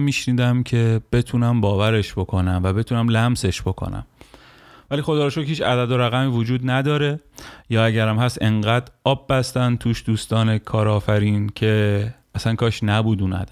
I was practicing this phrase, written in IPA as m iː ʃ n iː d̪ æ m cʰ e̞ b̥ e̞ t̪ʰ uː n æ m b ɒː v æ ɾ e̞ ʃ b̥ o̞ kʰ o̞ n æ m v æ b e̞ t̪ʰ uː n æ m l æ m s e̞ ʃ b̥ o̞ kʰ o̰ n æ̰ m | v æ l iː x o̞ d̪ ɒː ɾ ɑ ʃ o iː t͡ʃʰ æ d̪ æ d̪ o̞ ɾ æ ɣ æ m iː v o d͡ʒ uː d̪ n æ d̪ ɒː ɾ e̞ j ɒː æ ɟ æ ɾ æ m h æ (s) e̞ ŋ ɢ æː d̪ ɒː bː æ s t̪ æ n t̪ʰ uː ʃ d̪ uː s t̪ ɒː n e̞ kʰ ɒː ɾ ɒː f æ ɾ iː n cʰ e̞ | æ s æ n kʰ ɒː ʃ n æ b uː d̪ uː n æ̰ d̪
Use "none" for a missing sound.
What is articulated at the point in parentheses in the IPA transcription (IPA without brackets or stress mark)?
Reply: s